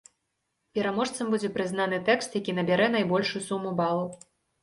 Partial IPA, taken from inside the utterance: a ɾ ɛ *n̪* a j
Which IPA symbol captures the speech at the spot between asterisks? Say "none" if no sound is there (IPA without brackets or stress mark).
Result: n̪